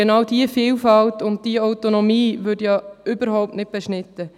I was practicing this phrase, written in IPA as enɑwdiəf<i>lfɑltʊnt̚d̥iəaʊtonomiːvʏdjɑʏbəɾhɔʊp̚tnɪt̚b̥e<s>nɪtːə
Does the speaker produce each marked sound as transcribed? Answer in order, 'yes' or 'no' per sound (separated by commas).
no, no